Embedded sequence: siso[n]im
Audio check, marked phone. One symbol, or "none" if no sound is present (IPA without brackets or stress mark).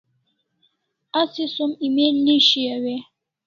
m